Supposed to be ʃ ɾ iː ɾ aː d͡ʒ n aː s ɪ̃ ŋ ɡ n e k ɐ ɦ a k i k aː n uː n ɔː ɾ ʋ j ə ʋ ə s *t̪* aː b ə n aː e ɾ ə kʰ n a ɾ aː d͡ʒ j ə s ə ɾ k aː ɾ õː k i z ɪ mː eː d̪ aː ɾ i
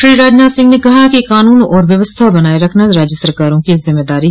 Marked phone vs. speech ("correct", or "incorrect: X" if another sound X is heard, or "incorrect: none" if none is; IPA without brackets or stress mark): incorrect: t̪ʰ